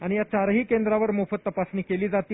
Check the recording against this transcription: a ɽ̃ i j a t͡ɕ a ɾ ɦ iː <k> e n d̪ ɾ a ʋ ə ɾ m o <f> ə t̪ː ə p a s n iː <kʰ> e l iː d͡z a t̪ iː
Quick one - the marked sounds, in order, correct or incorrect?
correct, correct, incorrect: k

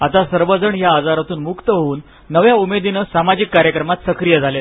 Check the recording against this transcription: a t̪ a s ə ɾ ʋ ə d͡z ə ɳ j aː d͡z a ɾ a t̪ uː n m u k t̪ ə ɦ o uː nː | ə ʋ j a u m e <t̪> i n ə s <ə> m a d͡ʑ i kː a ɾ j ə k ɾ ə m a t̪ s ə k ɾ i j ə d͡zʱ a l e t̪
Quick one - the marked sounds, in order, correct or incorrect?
incorrect: d̪, incorrect: a

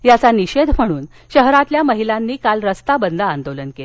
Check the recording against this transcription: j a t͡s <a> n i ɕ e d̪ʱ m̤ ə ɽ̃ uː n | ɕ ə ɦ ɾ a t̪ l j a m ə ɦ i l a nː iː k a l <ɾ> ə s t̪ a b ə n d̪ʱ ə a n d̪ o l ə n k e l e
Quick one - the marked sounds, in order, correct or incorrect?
correct, correct

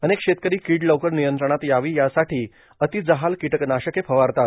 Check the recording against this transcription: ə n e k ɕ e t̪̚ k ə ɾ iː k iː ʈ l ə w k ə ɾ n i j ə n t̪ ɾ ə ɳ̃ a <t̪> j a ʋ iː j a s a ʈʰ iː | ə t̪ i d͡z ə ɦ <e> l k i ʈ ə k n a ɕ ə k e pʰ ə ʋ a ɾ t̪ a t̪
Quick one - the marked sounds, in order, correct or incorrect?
correct, incorrect: a

